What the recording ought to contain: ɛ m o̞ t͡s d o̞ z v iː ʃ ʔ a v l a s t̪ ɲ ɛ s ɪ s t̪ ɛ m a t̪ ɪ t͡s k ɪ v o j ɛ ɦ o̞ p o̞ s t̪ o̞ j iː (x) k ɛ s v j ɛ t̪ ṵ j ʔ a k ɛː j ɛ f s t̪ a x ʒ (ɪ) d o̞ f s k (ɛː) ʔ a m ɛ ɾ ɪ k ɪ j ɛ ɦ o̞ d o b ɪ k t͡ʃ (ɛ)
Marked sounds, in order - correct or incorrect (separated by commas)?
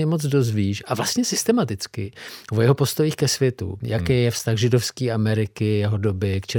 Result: correct, correct, incorrect, correct